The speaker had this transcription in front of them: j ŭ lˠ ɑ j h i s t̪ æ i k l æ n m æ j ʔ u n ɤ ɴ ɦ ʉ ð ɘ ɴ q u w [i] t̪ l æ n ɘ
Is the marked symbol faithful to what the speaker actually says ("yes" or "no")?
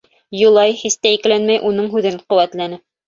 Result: no